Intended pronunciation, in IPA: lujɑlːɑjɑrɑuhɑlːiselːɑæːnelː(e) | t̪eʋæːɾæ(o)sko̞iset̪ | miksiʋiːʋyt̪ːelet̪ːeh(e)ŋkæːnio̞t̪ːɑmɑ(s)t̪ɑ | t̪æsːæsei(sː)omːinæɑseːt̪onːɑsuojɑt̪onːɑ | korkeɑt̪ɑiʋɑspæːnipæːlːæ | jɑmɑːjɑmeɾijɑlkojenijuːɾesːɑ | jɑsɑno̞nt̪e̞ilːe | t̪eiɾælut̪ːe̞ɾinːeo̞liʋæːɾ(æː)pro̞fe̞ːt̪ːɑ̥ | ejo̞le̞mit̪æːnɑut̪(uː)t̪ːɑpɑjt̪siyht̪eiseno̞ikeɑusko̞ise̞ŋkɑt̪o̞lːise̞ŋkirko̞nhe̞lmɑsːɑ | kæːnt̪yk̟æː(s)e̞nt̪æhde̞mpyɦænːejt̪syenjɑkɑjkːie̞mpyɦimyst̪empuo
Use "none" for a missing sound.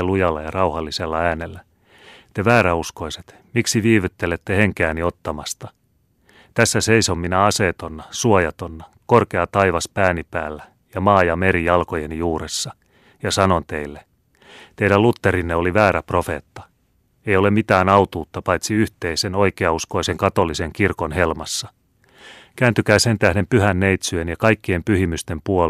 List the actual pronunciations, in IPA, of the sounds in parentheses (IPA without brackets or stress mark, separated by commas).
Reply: æ, u, e, s, s, æ, uː, s